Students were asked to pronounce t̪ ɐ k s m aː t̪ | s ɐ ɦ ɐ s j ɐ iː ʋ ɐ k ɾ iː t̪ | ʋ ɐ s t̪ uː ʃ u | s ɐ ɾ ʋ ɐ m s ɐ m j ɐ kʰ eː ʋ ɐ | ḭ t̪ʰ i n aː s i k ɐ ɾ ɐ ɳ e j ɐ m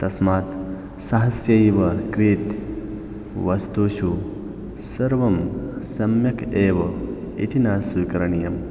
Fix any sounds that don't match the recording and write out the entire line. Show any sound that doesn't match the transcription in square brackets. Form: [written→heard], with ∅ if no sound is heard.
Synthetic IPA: t̪ ɐ [k→∅] s m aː t̪ | s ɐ ɦ ɐ s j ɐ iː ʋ ɐ k ɾ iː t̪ | ʋ ɐ s t̪ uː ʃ u | s ɐ ɾ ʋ ɐ m s ɐ m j ɐ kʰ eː ʋ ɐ | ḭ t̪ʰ i n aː s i k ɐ ɾ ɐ ɳ [e→i] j ɐ m